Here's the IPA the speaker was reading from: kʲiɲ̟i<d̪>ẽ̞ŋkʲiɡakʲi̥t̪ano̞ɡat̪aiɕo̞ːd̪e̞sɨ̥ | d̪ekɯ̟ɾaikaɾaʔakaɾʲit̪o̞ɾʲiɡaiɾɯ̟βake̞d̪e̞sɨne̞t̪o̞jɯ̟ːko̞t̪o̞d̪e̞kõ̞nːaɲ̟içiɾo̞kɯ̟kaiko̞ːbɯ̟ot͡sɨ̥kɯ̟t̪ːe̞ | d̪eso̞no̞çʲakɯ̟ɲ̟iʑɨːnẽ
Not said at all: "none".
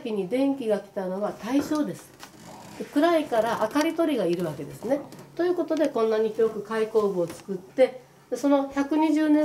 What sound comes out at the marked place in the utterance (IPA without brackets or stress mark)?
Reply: d̪